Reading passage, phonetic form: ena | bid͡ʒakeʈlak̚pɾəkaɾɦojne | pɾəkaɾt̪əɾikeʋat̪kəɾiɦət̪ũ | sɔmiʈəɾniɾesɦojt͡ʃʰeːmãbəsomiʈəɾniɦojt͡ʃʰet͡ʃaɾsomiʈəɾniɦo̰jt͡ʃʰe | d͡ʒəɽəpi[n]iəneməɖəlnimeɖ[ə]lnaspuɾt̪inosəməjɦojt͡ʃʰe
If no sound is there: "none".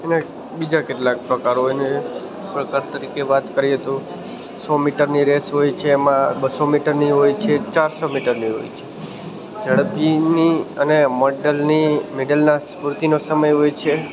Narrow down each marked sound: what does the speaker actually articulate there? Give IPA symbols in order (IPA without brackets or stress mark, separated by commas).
n, ə